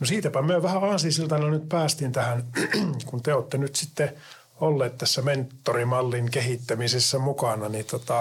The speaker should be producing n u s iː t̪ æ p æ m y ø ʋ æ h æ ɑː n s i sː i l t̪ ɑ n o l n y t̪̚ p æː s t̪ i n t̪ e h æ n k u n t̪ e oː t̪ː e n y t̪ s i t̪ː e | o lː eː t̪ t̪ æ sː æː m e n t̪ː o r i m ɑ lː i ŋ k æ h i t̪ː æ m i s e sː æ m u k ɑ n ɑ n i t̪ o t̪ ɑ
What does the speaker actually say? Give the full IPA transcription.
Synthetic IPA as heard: n o s iː t̪ æ p æ m y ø ʋ æ h æ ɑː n s i s i l t̪ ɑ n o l n y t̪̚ p æː s t̪ i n t̪ æ h æ n k u n t̪ e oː t̪ː e n y t̪ s i t̪ː e | o lː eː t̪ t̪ æ sː æ m e n t̪ː o r i m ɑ lː i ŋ k e h i t̪ː æ m i s e sː æ m u k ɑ n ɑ n i t̪ o t̪ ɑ